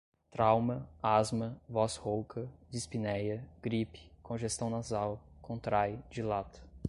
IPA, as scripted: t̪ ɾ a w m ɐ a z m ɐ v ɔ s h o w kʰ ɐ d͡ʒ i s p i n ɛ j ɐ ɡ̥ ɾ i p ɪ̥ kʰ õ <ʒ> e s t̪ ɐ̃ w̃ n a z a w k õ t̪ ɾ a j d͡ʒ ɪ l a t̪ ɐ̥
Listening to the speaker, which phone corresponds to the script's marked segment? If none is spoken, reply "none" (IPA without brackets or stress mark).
ʒ